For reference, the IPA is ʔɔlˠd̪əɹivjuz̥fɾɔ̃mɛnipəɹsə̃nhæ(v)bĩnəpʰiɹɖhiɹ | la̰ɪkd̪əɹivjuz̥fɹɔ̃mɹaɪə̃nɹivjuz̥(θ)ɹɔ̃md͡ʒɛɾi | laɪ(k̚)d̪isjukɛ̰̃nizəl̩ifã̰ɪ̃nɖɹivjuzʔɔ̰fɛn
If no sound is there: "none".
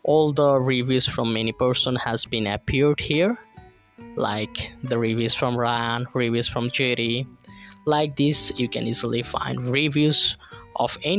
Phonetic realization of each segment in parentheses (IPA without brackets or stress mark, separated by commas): z, f, k̚